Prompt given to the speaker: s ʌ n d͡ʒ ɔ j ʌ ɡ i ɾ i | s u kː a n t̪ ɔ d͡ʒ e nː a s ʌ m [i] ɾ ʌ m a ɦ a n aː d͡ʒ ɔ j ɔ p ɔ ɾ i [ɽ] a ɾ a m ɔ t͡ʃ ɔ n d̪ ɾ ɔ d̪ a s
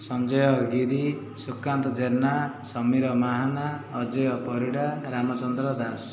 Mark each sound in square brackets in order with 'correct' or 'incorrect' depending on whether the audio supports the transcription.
correct, correct

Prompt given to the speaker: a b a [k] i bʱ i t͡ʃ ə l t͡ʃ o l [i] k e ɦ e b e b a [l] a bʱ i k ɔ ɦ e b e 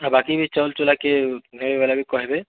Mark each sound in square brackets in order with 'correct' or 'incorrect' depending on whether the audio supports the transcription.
correct, incorrect: a, correct

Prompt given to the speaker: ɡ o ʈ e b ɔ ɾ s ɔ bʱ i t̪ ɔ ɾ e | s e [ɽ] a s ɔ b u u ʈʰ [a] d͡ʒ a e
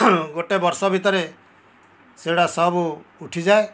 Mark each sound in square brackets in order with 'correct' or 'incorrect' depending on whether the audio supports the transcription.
correct, incorrect: i

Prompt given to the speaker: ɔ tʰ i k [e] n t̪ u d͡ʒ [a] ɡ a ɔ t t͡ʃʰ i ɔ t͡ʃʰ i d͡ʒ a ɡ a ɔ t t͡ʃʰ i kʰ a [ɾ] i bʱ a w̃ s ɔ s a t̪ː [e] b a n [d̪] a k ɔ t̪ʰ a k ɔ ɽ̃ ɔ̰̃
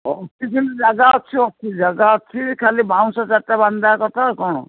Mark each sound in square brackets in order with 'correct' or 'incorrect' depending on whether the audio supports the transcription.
incorrect: i, correct, incorrect: l, incorrect: a, correct

